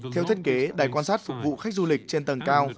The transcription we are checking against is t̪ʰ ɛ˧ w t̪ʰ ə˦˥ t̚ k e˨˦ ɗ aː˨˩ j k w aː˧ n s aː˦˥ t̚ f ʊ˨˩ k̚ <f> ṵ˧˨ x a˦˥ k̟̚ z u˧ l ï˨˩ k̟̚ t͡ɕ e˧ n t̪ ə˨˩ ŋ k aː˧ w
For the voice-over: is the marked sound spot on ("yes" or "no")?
no